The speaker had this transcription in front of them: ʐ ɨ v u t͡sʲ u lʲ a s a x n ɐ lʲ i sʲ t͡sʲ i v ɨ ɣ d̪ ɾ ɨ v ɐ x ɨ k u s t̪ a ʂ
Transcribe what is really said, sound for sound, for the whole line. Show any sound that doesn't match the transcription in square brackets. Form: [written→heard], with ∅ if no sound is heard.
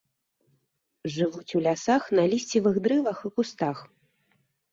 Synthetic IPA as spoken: ʐ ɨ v u t͡sʲ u lʲ a s a x n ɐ lʲ i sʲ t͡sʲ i v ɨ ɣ d̪ ɾ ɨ v ɐ x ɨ k u s t̪ a [ʂ→x]